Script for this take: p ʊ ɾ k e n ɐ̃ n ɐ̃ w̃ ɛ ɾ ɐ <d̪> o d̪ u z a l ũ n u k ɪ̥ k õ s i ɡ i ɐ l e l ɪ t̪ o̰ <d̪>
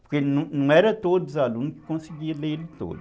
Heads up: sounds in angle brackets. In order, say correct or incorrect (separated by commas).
incorrect, correct